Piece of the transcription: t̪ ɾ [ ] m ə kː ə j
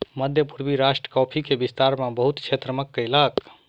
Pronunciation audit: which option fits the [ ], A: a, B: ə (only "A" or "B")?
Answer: B